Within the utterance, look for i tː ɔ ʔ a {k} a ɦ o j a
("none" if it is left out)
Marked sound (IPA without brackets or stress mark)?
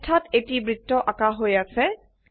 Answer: k